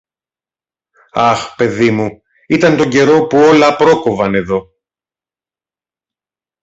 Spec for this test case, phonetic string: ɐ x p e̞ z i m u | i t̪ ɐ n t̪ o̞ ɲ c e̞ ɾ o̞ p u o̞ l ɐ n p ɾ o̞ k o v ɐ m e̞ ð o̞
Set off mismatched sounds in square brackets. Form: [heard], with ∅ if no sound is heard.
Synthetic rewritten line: ɐ x p e̞ [ð] i m u | i t̪ ɐ n t̪ o̞ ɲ [ɟ] e̞ ɾ o̞ p u o̞ l ɐ [∅] p ɾ o̞ k o v ɐ [n] e̞ ð o̞